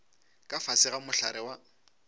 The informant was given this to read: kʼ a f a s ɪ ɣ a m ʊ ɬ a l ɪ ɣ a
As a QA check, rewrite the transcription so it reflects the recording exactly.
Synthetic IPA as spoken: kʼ a f a s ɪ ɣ a m ʊ ɬ a ɾ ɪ w a